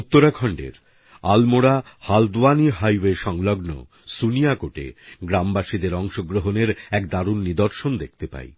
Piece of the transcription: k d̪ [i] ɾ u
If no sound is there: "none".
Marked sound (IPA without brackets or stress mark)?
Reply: a